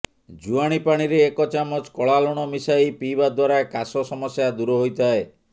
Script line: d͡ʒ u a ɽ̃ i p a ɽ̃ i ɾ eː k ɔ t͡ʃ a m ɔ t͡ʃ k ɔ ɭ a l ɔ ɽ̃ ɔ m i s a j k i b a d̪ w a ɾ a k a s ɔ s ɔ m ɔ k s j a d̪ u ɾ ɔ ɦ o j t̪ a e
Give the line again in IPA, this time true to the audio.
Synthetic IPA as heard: d͡ʒ u a ɽ̃ i p a ɽ̃ i ɾ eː k ɔ t͡ʃ a m ɔ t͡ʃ k ɔ ɭ a l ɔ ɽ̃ ɔ m i s a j p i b a d̪ w a ɾ a k a s ɔ s ɔ m ɔ s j a d̪ u ɾ ɔ ɦ o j t̪ a e